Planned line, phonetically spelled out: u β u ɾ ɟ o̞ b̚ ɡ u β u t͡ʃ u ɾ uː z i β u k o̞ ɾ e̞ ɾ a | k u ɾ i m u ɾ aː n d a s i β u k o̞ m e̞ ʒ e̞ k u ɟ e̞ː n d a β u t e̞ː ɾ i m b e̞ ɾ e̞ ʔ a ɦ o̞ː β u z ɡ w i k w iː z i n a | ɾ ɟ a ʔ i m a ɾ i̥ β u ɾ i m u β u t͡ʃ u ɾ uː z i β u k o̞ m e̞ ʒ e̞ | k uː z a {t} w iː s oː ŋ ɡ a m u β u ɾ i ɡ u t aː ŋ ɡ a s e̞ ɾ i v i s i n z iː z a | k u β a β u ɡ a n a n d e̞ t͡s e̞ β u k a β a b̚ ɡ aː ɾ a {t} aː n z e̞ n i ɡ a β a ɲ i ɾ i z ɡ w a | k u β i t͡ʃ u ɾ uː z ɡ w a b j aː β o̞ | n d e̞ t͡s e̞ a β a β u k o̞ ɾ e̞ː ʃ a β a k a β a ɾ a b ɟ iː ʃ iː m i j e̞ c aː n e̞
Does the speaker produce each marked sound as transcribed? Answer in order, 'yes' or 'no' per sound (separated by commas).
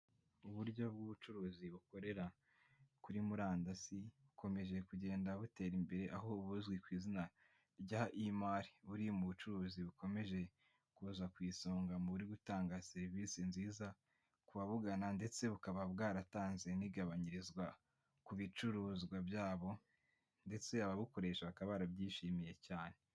no, yes